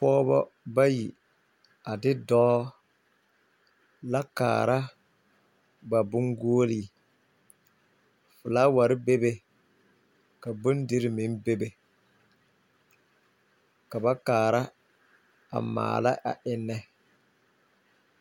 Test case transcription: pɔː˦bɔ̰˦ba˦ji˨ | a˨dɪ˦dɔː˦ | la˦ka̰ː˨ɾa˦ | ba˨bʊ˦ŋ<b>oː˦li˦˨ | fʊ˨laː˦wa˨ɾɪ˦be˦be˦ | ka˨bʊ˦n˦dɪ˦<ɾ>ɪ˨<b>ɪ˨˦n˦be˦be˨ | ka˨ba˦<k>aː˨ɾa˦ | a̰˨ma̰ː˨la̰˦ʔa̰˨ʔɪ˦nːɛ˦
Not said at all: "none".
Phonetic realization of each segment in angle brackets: ɡ, ɾ, m, k

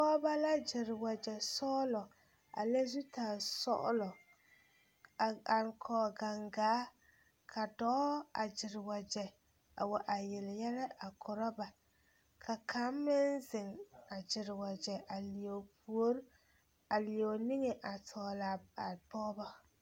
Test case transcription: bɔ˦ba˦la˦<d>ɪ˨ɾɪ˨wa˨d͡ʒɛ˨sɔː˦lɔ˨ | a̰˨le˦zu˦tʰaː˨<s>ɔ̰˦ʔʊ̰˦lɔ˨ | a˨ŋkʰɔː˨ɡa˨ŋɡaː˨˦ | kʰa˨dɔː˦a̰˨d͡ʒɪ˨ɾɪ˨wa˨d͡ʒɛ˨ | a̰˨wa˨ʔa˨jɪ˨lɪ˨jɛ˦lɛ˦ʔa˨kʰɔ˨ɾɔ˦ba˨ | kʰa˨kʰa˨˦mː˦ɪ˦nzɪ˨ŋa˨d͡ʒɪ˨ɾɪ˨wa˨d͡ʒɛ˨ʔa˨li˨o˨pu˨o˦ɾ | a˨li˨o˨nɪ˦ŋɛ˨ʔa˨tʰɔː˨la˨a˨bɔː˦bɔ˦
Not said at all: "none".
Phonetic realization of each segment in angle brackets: d͡ʒ, s

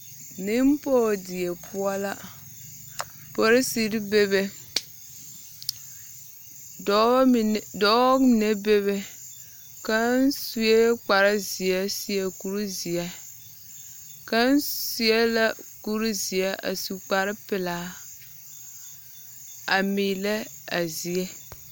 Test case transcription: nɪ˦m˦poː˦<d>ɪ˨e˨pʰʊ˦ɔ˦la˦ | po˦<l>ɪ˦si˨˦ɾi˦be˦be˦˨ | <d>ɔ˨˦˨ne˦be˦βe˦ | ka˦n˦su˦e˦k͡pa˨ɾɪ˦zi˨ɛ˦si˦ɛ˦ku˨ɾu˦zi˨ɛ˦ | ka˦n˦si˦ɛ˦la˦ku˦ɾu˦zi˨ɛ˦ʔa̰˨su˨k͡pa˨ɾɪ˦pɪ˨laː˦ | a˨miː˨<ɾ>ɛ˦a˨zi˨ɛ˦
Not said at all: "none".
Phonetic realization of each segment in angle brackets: d, ɾ, d, l

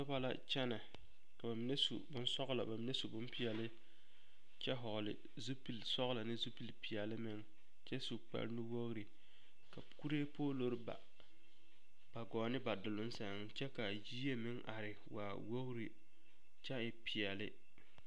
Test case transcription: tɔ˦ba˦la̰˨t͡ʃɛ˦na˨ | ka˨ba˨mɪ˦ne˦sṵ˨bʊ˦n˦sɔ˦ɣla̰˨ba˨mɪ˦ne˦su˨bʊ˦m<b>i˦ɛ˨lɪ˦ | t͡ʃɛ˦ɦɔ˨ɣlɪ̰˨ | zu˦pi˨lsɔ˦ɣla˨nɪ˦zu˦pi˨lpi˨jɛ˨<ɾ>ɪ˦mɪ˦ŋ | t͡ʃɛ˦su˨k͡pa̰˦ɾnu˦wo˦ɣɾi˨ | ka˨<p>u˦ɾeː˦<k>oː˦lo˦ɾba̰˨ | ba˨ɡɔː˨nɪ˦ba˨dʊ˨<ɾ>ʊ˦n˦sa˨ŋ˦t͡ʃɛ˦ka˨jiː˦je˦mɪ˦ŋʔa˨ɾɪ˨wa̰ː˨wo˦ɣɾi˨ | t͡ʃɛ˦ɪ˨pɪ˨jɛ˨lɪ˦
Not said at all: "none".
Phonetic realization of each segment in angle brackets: p, l, k, p, l

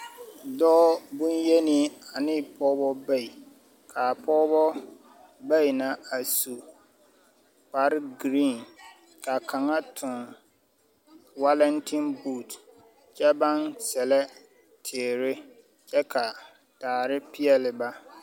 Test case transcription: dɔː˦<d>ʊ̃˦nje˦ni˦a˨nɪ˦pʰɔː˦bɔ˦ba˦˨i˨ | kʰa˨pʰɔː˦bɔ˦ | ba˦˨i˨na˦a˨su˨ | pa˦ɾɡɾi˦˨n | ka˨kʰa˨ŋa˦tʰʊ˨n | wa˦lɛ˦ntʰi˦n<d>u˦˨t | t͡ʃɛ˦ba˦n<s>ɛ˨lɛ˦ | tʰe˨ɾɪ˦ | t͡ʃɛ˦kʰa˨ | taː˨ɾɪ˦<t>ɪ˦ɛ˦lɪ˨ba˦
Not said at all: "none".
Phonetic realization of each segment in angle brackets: b, b, s, p

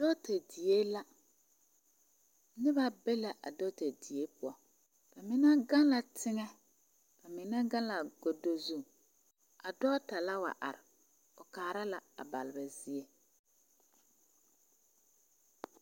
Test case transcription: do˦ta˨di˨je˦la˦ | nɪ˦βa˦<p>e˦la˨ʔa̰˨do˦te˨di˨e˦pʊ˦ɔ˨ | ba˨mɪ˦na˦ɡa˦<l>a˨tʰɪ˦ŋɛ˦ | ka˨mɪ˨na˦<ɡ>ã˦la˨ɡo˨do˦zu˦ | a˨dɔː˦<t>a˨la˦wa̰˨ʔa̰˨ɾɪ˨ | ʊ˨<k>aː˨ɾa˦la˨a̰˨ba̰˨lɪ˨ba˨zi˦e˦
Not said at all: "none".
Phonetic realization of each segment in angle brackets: b, l, ɡ, t, k

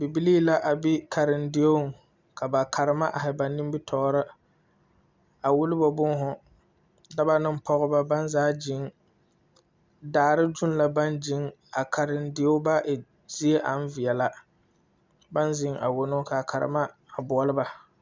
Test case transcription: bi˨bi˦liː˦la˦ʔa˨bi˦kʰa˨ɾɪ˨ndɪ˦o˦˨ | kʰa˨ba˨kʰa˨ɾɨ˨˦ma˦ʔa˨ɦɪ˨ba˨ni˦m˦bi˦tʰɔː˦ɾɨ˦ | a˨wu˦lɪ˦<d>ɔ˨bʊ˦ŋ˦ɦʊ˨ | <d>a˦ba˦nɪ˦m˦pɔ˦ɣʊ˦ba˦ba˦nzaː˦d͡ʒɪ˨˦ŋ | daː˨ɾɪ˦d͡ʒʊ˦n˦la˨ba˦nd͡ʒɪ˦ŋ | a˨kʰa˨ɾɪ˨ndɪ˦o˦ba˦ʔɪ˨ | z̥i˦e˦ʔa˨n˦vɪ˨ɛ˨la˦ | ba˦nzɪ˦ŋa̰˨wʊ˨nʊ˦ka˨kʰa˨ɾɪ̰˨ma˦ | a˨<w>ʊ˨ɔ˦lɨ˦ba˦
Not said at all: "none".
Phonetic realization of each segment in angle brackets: b, d, b

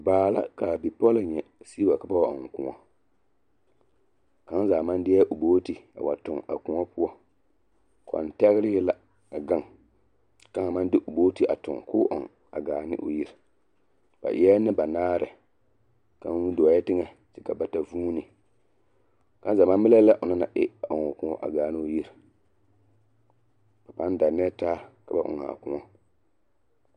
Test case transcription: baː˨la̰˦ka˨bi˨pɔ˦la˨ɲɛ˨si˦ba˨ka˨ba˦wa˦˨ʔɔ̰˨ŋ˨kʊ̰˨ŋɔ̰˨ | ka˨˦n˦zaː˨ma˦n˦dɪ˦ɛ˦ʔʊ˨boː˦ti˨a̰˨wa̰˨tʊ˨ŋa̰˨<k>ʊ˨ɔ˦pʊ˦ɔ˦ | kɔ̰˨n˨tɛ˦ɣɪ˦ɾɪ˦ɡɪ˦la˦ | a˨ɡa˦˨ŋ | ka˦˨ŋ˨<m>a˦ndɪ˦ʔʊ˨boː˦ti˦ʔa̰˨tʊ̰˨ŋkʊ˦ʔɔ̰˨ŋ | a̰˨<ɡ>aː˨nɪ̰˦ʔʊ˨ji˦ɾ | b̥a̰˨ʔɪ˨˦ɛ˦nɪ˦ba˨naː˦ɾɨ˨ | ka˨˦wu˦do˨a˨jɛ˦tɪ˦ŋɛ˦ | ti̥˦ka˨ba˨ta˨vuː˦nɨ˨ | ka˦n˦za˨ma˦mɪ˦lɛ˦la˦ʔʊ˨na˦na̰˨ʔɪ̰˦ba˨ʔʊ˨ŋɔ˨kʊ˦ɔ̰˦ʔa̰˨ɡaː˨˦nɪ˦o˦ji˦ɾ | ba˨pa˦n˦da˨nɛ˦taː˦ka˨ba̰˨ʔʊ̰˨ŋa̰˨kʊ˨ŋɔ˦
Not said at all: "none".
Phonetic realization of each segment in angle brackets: k, m, ɡ

